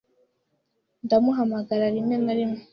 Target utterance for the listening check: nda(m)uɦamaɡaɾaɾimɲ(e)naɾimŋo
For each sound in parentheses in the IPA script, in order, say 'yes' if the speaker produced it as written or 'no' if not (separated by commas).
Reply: yes, yes